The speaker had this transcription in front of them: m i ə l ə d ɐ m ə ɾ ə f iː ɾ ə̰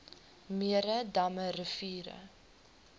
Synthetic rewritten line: m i ə ɾ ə d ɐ m ə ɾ ə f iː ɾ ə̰